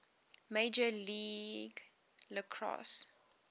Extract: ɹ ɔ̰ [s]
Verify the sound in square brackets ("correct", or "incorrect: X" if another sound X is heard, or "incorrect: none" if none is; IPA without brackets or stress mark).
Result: correct